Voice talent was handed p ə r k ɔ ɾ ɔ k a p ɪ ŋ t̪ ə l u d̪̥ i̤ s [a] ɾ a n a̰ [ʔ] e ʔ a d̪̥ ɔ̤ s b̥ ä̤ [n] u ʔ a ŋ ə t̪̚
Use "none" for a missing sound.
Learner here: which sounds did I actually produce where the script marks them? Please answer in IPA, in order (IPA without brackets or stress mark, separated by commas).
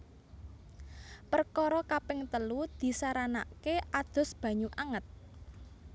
a, k, ɲ